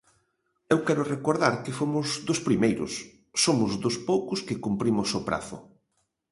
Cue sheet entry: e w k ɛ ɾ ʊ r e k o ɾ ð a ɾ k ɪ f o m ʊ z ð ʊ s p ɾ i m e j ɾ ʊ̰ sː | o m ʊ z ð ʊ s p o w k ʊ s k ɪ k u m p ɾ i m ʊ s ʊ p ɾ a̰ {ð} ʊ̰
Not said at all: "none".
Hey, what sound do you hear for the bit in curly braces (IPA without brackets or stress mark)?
θ